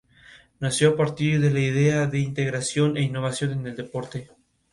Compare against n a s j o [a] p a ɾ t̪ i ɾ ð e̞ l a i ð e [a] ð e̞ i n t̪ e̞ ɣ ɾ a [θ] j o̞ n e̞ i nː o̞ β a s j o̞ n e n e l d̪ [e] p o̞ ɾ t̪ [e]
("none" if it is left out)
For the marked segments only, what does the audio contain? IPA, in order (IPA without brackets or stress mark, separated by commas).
a, a, s, e, e